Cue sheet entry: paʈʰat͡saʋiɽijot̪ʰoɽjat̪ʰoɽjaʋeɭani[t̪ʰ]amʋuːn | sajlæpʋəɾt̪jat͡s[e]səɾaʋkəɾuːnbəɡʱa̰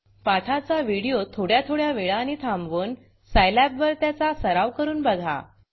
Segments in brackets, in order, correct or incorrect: correct, incorrect

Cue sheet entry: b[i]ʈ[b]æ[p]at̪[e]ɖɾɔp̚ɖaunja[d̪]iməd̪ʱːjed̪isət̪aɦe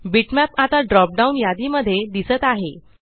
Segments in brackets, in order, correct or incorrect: correct, incorrect, correct, incorrect, correct

